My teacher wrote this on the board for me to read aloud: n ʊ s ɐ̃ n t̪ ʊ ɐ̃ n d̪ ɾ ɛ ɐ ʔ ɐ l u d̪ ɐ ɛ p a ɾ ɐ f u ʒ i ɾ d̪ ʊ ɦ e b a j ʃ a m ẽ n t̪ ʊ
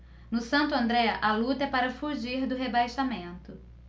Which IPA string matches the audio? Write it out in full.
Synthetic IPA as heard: n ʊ s ɐ̃ n t̪ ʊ ɐ̃ n d̪ ɾ ɛ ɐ ʔ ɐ l u t̪ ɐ ɛ p a ɾ ɐ f u ʒ i ɾ d̪ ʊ ɦ e b a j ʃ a m ẽ n t̪ ʊ